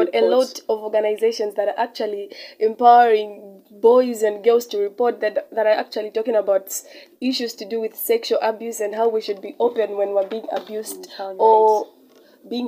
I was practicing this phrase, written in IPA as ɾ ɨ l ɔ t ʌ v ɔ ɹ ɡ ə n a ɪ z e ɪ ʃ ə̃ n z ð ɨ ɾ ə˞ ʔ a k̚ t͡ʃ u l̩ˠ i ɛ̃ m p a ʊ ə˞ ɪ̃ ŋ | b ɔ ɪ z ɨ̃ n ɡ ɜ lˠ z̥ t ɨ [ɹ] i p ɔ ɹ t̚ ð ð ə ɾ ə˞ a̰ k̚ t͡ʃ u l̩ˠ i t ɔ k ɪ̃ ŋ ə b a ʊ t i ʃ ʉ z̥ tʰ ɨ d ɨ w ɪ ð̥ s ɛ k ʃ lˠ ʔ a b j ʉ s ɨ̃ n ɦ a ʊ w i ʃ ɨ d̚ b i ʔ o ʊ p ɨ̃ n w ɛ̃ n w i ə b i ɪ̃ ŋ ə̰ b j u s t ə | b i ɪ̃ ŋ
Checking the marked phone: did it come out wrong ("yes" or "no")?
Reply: no